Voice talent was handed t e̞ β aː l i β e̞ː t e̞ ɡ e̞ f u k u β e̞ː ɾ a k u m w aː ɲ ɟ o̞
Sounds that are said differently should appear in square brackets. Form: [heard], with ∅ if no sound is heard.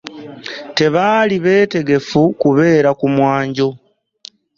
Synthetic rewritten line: t e̞ β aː l i β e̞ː t e̞ ɡ e̞ f u k u β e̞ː ɾ a k u m w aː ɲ ɟ o̞